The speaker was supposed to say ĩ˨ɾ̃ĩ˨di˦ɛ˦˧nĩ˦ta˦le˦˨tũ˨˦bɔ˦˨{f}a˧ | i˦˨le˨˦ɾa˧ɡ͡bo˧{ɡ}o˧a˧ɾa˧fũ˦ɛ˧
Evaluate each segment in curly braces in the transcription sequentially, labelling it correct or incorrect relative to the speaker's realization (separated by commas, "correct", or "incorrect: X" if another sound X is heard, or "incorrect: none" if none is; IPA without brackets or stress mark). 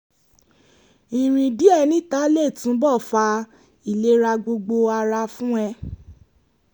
correct, incorrect: ɡ͡b